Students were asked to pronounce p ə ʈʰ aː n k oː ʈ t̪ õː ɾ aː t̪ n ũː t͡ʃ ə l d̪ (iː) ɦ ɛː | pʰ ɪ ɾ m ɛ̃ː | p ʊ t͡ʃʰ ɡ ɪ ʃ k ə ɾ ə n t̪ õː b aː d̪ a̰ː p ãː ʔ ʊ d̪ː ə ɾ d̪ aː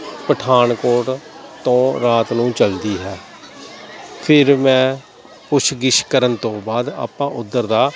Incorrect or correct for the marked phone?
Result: correct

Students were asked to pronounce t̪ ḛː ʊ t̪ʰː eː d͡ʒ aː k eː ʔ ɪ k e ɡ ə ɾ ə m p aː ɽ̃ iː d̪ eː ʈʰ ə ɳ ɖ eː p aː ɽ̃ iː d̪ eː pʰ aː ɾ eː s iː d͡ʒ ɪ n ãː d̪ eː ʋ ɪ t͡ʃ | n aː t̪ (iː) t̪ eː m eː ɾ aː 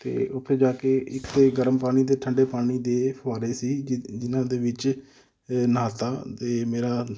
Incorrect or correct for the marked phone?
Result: incorrect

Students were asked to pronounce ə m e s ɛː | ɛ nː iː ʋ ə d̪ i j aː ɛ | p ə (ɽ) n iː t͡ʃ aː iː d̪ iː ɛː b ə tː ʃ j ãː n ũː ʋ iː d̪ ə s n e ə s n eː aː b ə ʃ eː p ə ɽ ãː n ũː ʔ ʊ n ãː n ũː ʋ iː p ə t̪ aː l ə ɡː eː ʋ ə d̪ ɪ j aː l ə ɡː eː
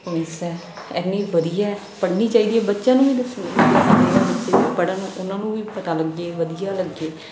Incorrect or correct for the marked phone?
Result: correct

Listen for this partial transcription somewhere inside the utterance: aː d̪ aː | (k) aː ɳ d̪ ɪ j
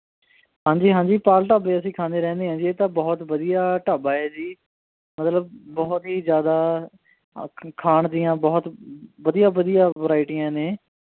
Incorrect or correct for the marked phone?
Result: incorrect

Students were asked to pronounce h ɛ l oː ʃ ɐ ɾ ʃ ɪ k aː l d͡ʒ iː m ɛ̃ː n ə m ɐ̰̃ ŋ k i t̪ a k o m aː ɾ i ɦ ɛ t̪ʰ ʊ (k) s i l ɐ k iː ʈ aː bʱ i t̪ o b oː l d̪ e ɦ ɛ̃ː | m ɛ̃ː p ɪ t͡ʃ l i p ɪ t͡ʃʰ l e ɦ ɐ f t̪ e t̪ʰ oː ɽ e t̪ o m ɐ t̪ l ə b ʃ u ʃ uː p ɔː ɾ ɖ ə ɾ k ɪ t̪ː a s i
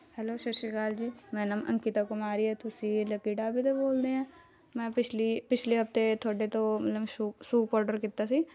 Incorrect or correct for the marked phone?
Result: incorrect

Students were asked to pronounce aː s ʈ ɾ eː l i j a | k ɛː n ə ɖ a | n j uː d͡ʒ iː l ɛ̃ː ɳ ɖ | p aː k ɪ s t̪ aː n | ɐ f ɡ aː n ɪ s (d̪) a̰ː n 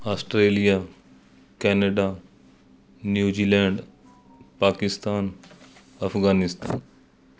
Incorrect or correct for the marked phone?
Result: incorrect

